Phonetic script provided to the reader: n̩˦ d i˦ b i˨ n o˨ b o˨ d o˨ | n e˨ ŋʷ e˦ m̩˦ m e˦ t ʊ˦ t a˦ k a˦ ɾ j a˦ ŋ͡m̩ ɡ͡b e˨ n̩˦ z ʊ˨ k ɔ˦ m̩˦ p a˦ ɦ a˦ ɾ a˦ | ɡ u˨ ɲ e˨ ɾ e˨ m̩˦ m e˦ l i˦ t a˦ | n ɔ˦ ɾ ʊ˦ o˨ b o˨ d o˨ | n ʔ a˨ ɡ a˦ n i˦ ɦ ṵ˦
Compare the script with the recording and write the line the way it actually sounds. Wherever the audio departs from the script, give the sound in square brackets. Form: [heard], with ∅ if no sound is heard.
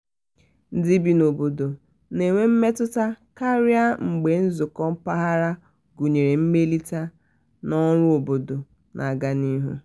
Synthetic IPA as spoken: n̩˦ d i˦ b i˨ n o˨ b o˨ d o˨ | n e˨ ŋʷ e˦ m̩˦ m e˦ t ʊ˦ t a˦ k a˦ ɾ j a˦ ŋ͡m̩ ɡ͡b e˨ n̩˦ z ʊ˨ k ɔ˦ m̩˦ p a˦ ɦ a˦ ɾ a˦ | ɡ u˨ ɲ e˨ ɾ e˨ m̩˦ m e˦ l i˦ t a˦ | n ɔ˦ ɾ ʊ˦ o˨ b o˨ d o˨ | n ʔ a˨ ɡ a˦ n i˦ ɦ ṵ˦